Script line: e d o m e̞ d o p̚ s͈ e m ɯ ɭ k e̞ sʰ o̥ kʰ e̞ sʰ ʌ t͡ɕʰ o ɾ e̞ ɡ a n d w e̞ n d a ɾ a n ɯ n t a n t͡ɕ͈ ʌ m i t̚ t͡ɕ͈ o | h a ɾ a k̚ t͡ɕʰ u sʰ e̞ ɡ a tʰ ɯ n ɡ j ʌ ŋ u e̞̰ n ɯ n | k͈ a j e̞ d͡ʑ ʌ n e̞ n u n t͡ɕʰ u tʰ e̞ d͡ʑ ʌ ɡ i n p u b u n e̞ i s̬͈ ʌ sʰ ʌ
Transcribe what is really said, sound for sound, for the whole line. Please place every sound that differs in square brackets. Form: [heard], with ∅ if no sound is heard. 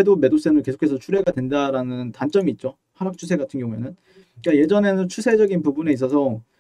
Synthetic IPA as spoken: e d o m e̞ d o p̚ s͈ e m ɯ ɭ k e̞ sʰ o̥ kʰ e̞ sʰ ʌ t͡ɕʰ [u] ɾ e̞ ɡ a [∅] d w e̞ n d a ɾ a n ɯ n t a n t͡ɕ͈ ʌ m [iː] t̚ t͡ɕ͈ o | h a ɾ a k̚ t͡ɕʰ u sʰ e̞ ɡ a tʰ ɯ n ɡ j ʌ ŋ u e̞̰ n ɯ n | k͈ a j e̞ d͡ʑ ʌ n e̞ n [ɯ] n t͡ɕʰ u [sʰ] e̞ d͡ʑ ʌ ɡ i n p u b u n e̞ i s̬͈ ʌ sʰ ʌ